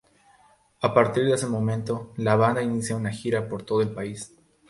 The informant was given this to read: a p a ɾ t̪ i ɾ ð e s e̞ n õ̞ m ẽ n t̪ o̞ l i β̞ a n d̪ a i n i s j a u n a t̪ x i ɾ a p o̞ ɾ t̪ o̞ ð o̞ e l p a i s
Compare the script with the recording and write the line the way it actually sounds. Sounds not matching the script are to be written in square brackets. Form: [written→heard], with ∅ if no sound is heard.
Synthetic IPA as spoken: a p a ɾ t̪ i ɾ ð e s e̞ [n→m] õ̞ m ẽ n t̪ o̞ l [i→a] β̞ a n d̪ a i n i s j a u n a [t̪→∅] x i ɾ a p o̞ ɾ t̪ o̞ ð o̞ e l p a i s